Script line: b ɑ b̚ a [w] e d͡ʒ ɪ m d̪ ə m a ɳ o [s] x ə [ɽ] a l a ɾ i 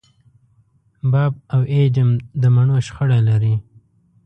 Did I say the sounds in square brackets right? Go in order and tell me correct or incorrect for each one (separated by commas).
correct, incorrect, correct